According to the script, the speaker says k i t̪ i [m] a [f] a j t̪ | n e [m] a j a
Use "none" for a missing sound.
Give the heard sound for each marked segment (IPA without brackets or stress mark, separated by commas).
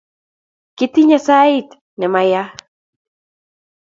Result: ɲ, s, m